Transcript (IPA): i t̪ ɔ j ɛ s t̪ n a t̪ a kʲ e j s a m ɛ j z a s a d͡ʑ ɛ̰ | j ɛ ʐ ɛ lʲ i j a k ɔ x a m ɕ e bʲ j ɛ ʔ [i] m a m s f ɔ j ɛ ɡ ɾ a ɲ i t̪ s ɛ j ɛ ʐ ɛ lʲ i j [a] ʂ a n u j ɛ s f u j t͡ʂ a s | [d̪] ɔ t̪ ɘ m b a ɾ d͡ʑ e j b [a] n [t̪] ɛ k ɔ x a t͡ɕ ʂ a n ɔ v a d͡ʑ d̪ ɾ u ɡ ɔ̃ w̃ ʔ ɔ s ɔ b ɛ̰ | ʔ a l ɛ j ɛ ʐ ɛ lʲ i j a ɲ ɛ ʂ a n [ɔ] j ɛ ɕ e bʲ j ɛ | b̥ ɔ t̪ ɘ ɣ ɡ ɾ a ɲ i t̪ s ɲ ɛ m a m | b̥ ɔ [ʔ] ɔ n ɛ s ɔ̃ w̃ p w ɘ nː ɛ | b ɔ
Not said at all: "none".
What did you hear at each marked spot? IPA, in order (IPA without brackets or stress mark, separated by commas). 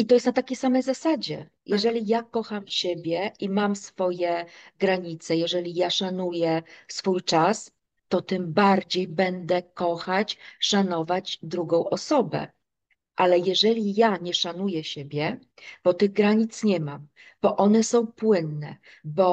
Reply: i, a, t̪, ɛ, d̪, u, ʔ